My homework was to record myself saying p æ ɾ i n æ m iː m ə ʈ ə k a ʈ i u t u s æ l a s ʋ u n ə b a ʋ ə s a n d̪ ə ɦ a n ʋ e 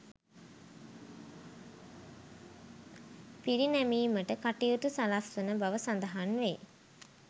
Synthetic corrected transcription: p i ɾ i n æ m iː m ə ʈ ə k a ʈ i u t u s a l a s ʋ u n ə b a ʋ ə s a n d̪ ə ɦ a n ʋ e